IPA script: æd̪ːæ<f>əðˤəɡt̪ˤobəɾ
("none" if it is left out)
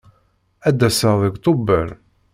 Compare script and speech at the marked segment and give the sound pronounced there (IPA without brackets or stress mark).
s